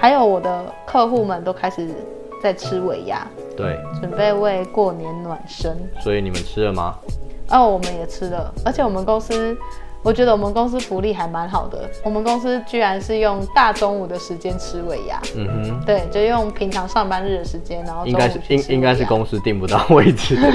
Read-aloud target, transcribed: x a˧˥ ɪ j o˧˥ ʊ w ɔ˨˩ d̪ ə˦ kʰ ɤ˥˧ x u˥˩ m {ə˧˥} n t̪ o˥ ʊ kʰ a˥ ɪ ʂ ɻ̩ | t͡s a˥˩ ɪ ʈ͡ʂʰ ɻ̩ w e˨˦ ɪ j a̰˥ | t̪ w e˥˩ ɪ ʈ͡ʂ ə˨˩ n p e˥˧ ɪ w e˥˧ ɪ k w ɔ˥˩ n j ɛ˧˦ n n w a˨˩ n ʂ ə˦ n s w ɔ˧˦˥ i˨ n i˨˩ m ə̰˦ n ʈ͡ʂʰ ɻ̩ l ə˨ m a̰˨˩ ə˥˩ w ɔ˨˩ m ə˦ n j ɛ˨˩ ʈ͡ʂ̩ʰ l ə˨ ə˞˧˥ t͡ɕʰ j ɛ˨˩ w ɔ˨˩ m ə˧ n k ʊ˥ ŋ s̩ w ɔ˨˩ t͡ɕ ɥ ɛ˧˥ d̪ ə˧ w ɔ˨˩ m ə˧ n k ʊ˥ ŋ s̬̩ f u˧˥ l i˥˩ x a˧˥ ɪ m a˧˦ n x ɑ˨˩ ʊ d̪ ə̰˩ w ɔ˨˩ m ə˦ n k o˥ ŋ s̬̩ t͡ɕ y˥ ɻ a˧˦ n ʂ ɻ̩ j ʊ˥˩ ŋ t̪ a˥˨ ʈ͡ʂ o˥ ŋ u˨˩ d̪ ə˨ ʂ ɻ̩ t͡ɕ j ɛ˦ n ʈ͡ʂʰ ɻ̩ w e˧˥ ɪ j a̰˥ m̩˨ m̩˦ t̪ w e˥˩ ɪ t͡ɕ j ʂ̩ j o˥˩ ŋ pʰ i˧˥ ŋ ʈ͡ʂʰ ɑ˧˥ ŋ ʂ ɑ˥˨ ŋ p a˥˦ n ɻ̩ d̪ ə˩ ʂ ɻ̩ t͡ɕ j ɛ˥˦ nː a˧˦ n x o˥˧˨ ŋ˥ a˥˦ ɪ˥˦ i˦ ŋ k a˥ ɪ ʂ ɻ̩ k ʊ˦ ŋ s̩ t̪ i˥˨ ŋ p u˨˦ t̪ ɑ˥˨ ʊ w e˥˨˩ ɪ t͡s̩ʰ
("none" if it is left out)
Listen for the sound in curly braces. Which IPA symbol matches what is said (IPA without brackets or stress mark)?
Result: ə˨